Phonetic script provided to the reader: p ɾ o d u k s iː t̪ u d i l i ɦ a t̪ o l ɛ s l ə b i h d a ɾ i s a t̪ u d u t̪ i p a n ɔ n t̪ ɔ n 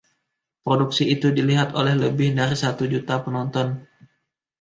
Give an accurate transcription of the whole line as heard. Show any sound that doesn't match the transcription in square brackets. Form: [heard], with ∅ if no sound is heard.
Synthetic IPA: p ɾ o d u k s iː t̪ u d i l i ɦ a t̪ o l ɛ [h] l ə b [ɪ] h d a ɾ i s a t̪ u [d͡ʒ] u t̪ [a] p [ə] n ɔ n t̪ ɔ n